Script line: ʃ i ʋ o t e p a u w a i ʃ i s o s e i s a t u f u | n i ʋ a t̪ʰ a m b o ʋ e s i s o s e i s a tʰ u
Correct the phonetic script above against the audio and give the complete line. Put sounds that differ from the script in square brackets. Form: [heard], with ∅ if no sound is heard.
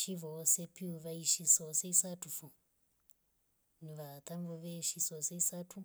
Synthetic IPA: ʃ i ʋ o [s] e p [i] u [ʋ] a i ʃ i s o s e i s a t u f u | n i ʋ a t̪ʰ a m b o ʋ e [ʃ] i s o s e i s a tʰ u